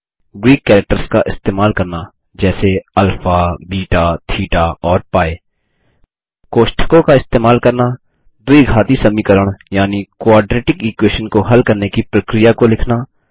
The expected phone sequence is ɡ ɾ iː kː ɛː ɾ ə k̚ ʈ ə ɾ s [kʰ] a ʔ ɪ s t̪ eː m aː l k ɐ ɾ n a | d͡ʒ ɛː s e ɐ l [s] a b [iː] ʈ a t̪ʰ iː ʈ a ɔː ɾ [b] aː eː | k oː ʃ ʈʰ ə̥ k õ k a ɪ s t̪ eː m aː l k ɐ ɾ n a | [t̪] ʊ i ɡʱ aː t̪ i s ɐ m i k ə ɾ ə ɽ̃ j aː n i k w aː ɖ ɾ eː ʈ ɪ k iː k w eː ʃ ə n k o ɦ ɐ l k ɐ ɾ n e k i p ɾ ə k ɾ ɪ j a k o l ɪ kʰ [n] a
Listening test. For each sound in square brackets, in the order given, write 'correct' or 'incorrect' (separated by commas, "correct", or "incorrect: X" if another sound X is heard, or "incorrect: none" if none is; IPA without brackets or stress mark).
incorrect: k, incorrect: f, correct, incorrect: p, incorrect: d̪, correct